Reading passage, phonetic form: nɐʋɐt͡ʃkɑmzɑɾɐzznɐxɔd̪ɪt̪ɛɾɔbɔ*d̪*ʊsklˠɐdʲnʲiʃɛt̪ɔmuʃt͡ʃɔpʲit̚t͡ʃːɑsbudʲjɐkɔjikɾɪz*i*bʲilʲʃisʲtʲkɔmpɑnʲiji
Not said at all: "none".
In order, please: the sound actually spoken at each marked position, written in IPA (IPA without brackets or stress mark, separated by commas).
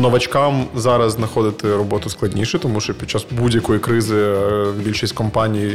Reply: t̪, ɪ